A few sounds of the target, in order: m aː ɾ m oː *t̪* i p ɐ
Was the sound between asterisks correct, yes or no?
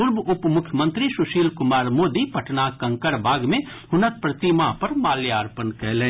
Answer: no